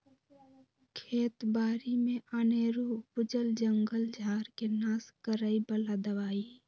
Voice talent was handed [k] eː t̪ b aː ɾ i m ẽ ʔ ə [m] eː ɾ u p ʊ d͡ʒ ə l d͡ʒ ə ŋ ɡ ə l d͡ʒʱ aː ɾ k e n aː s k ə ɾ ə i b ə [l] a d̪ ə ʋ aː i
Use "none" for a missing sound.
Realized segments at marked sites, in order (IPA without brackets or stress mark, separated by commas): kʰ, n, l